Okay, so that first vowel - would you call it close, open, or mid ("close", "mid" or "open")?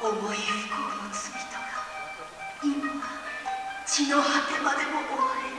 mid